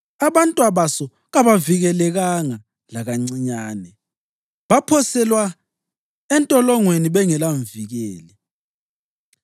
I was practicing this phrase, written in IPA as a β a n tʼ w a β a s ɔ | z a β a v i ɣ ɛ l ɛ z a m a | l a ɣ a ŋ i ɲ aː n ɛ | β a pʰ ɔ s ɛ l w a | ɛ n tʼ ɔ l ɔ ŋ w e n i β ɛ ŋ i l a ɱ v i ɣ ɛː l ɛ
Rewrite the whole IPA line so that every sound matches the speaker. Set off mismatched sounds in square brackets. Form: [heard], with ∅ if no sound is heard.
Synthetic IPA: a β a n tʼ w a β a s ɔ | [ɣ] a β a v i ɣ ɛ l ɛ [ɣ] a [ŋ] a | l a ɣ a [ŋ͡ǀ] i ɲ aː n ɛ | β a pʰ ɔ s ɛ l w a | ɛ n tʼ ɔ l ɔ ŋ w e n i β ɛ ŋ [ɛ] l a ɱ v i ɣ ɛː l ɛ